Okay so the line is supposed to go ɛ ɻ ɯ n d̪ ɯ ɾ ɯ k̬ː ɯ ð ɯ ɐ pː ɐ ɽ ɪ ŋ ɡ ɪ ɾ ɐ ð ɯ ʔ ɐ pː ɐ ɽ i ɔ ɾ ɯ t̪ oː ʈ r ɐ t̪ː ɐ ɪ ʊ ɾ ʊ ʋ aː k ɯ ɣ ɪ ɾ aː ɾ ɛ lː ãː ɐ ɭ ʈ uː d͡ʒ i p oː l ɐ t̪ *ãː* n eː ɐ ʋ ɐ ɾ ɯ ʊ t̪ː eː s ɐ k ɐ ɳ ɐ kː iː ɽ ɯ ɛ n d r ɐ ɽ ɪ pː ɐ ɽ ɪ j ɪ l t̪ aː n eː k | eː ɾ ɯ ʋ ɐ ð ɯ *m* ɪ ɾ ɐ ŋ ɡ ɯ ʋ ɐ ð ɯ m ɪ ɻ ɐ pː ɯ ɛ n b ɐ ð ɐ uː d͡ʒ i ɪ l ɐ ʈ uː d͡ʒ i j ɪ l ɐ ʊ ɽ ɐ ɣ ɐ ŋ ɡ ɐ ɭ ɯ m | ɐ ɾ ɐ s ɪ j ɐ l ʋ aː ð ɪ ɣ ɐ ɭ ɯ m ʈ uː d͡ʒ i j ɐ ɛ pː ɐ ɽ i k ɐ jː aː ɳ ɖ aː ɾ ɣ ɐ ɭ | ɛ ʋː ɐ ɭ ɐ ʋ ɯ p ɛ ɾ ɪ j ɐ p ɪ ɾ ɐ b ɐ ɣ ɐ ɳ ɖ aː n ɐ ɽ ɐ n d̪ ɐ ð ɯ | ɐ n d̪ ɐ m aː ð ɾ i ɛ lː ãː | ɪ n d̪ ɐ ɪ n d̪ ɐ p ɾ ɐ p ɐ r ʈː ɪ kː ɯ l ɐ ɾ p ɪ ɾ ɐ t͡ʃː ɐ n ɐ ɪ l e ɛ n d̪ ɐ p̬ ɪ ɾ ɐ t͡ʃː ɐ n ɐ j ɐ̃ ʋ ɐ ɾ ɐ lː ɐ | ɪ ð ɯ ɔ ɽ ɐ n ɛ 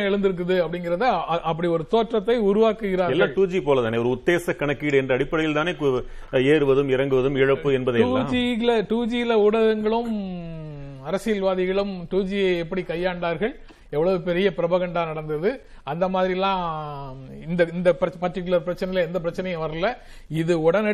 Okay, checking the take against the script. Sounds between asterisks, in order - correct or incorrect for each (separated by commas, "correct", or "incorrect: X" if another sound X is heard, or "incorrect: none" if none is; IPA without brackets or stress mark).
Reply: incorrect: aː, correct